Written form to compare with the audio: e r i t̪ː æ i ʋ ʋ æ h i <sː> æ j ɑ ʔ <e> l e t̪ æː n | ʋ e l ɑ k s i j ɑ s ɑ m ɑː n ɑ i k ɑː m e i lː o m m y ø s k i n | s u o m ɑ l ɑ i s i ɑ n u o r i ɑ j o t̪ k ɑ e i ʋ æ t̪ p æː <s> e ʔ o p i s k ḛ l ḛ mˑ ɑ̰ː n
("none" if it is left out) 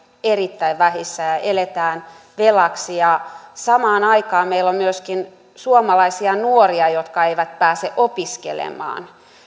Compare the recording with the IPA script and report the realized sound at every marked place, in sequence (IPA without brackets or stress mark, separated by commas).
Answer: sː, e, s